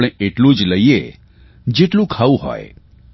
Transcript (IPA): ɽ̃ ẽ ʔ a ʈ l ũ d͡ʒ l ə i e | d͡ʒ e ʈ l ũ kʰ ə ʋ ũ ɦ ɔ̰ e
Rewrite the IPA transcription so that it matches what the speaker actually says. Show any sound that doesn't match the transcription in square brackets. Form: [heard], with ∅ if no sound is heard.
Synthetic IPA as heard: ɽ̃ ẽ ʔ [e] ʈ l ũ d͡ʒ l ə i e | d͡ʒ e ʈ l ũ kʰ [a] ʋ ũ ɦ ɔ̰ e